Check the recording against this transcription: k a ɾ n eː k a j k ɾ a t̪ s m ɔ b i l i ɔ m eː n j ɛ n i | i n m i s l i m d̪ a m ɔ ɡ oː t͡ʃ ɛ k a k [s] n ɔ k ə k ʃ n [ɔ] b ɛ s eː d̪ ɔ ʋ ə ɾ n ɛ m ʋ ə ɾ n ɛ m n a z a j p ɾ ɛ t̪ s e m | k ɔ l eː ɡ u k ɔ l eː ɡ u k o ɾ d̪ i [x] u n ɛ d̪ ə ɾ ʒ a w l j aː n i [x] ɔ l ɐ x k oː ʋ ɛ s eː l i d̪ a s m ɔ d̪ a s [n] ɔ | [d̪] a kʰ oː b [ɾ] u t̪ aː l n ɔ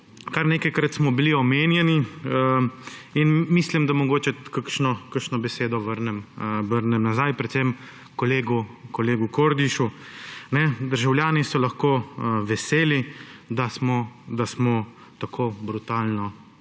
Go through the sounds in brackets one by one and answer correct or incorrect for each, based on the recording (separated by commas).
incorrect, correct, incorrect, incorrect, incorrect, incorrect, correct